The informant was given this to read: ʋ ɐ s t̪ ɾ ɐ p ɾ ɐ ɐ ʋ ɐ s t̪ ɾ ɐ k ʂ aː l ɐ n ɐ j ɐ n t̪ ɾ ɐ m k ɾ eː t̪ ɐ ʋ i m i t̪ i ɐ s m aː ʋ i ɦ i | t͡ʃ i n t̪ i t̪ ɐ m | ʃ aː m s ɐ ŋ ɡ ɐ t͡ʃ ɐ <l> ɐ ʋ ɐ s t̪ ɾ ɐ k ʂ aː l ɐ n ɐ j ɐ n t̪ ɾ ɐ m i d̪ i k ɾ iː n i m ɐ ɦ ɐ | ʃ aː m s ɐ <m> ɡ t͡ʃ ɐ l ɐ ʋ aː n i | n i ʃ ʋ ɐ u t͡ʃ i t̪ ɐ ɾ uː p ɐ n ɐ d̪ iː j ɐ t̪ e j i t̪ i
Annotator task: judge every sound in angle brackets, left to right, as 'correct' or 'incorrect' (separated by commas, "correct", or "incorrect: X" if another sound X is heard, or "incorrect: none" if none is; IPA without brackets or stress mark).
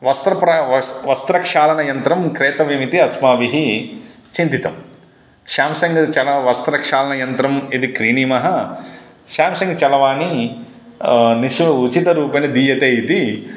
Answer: correct, incorrect: ŋ